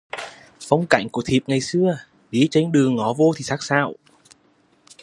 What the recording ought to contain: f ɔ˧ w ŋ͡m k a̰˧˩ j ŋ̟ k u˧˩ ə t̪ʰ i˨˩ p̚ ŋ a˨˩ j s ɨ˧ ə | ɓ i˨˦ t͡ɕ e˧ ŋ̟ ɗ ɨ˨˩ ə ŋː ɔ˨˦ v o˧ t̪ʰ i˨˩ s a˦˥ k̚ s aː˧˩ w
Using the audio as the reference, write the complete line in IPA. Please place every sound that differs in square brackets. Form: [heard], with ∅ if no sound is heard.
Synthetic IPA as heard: f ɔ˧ w ŋ͡m k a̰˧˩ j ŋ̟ k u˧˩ ə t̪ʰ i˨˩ p̚ ŋ a˨˩ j s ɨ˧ ə | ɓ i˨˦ t͡ɕ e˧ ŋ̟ ɗ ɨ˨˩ ə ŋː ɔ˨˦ v o˧ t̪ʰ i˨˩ s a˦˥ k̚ s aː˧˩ w